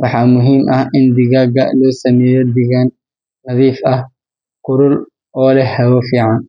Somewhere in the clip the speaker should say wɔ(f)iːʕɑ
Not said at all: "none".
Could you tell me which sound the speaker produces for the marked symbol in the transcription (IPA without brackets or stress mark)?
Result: f